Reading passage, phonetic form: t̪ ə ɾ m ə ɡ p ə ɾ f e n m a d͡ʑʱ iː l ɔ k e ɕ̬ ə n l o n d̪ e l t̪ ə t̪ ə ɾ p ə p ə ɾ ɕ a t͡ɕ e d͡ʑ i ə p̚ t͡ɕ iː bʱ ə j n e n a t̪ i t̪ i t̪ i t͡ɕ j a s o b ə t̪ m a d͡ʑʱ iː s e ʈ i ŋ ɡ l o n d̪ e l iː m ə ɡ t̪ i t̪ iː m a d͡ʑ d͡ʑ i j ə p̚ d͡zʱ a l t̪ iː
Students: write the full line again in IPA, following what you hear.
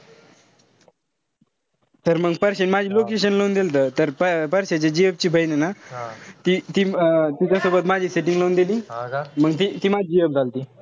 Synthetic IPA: t̪ ə ɾ m ə ɡ p ə ɾ ɕ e n m a d͡ʑʱ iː l o k e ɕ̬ ə n l o n d̪ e l t̪ ə t̪ ə ɾ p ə p ə ɾ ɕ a t͡ɕ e d͡ʑ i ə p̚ t͡ɕ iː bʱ ə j n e n a t̪ i t̪ i t̪ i t͡ɕ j a s o b ə t̪ m a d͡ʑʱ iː s e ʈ i ŋ ɡ l o n d̪ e l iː m ə ɡ t̪ i t̪ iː m a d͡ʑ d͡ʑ i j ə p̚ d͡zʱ a l t̪ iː